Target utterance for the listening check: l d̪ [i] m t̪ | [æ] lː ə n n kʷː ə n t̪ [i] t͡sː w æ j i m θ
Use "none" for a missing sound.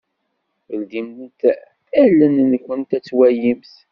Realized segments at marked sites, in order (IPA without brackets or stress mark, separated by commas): i, æ, æ